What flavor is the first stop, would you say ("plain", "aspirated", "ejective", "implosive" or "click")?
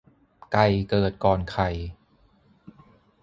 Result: plain